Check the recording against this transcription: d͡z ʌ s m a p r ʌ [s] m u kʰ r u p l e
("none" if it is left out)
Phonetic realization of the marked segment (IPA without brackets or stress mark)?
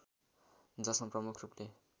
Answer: none